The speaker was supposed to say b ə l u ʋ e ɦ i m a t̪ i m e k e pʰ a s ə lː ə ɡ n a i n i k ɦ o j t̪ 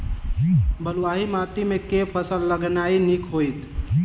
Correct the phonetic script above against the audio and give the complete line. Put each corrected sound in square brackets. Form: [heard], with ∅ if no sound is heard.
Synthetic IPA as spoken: b ə l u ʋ [a] ɦ i m a t̪ i m e k e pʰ [ə] s ə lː ə ɡ n a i n i k ɦ o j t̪